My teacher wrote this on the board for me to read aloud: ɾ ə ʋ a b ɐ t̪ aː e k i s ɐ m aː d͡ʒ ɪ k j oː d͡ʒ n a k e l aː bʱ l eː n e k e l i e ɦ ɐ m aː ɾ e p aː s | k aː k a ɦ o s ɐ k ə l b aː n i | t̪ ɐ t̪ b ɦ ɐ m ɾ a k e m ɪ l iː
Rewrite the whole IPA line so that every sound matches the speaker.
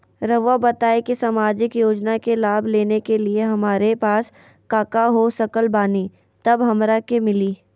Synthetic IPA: ɾ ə ʋ a b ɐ t̪ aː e k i s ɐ m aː d͡ʒ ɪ k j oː d͡ʒ n a k e l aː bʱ l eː n e k e l i e ɦ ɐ m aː ɾ e p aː s | k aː k a ɦ o s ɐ k ə l b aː n i | t̪ ɐ b ɦ ɐ m ɾ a k e m ɪ l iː